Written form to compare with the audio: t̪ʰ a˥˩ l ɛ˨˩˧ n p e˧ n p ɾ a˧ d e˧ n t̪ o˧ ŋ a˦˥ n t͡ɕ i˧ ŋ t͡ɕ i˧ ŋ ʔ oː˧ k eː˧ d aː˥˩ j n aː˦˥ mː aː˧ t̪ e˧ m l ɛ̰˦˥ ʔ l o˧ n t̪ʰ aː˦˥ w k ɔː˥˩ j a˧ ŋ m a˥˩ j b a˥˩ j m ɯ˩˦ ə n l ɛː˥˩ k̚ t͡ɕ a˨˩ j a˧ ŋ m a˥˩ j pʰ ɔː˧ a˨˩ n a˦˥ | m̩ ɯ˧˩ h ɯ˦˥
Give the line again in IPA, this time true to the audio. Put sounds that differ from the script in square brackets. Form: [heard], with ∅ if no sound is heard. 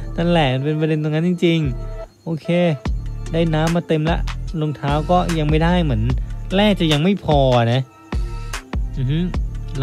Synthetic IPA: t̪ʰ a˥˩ l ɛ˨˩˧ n p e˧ n p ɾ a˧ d e˧ n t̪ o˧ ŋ a˦˥ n t͡ɕ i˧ ŋ t͡ɕ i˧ ŋ ʔ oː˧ [kʰ] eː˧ d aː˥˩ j n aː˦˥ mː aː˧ t̪ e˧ m l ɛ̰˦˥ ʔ l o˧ [ŋ] t̪ʰ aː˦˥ w k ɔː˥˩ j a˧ ŋ m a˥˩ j [d] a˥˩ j m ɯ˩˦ ə n l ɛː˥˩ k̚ t͡ɕ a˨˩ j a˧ ŋ m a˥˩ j pʰ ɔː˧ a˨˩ n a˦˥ | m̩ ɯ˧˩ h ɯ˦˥